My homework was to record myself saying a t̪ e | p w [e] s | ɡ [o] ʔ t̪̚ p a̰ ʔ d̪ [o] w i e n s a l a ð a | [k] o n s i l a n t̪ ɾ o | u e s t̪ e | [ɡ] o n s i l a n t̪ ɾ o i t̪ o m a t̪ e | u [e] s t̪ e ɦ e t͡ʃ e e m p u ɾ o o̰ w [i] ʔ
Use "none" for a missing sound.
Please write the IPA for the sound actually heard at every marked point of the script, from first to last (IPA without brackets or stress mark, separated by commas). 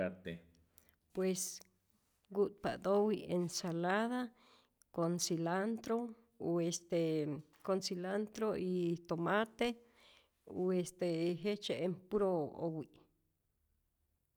e, u, o, k, k, e, i